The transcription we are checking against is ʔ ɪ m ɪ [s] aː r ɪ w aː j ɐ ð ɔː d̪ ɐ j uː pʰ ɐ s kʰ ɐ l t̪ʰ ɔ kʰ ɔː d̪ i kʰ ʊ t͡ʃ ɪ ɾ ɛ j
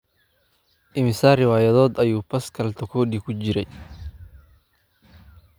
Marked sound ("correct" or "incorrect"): correct